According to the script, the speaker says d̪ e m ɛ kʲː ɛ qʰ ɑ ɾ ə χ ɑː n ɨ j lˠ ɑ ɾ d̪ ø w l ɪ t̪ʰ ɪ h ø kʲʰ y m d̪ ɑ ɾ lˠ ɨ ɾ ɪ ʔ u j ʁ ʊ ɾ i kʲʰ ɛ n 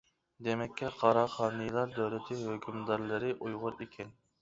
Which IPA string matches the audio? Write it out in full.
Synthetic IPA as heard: d̪ e m ɛ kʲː ɛ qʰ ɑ ɾ ɑ χ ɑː n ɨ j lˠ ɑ ɾ d̪ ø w l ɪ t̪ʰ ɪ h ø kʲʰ y m d̪ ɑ ɾ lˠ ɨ ɾ ɪ ʔ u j ʁ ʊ ɾ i kʲʰ ɛ n